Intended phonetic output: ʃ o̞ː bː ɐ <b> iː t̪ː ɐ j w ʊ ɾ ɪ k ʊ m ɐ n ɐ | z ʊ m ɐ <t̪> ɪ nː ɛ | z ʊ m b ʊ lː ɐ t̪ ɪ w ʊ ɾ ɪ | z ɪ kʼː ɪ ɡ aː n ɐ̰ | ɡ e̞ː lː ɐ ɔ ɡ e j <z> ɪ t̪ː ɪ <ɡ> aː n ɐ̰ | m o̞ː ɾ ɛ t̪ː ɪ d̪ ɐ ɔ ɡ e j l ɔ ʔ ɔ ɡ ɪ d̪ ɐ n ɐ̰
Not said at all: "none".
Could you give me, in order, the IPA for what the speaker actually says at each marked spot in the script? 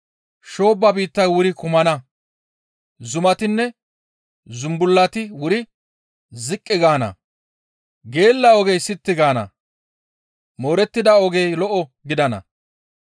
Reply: b, t̪, s, ɡ

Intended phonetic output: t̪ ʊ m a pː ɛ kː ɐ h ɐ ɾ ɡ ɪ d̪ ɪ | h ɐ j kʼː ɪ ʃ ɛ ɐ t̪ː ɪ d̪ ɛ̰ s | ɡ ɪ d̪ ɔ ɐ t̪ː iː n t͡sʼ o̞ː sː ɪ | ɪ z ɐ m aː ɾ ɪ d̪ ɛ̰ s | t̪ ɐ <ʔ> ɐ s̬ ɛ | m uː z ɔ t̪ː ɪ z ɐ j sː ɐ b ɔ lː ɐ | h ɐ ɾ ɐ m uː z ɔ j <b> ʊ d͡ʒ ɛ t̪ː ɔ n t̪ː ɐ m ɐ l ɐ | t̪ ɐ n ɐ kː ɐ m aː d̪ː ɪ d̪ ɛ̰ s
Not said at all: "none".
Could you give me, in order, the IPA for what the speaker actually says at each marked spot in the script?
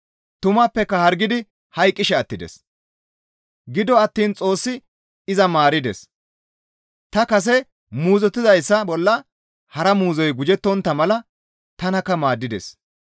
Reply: k, ɡ

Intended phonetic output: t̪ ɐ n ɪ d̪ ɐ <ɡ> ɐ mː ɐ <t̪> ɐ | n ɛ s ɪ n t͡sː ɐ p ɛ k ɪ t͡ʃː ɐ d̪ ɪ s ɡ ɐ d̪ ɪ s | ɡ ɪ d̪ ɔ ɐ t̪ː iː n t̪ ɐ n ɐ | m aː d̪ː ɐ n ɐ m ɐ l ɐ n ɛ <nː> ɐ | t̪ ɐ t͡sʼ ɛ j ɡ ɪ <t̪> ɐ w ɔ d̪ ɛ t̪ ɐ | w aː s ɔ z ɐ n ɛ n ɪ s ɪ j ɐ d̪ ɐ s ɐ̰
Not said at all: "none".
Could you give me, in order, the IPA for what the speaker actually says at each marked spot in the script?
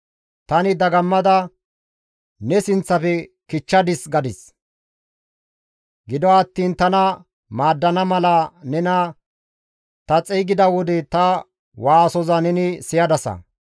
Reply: ɡ, d̪, n, d̪

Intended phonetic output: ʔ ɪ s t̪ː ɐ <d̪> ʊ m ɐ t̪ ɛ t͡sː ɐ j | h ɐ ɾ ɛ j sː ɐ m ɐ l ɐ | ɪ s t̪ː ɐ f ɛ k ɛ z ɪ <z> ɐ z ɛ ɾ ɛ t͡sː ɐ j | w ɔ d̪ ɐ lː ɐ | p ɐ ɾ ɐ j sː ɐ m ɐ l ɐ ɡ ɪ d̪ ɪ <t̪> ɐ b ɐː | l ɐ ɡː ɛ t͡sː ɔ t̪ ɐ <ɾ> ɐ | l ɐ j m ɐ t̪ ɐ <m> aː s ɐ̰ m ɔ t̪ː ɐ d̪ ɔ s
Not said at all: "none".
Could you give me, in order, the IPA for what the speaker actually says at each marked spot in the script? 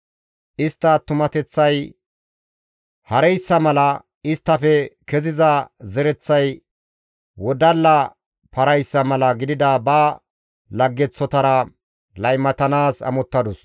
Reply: t̪, z, d̪, ɾ, n

